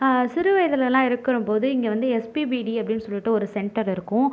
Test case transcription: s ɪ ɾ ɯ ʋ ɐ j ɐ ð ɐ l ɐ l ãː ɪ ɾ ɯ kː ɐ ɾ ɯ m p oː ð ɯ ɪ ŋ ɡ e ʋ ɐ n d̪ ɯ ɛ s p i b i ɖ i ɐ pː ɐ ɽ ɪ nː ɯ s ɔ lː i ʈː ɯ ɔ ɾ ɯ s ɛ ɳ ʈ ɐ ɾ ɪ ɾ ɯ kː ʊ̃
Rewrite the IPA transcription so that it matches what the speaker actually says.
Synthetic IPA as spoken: s ɪ ɾ ɯ ʋ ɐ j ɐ ð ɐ l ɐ l ãː ɪ ɾ ɯ kː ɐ ɾ ɯ m p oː ð ɯ ɪ ŋ ɡ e ʋ ɐ n d̪ ɯ ɛ s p i b i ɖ i ɐ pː ɐ ɽ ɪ nː ɯ s ɔ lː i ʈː ɯ ɔ ɾ ɯ s ɛ ɳ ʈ ɐ ɾ ɪ ɾ ɯ kː ʊ̃